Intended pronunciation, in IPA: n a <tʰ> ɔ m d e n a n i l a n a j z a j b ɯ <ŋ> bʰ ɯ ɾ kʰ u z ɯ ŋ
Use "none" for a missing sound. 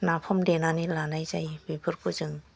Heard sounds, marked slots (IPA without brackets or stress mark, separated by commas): pʰ, none